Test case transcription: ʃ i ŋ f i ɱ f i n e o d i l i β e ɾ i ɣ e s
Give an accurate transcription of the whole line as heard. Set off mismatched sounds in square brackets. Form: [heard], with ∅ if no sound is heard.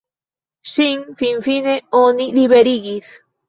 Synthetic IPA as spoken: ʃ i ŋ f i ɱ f i n e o [n] i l i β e ɾ i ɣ [i] s